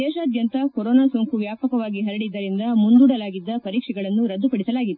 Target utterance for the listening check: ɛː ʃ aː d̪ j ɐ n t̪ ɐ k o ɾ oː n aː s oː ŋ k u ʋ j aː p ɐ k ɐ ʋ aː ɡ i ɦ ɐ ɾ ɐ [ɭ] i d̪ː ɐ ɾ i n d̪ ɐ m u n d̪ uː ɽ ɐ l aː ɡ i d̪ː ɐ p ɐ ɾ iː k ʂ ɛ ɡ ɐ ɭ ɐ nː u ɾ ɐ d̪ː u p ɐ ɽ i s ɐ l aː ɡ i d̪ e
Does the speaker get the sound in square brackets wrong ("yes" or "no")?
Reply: yes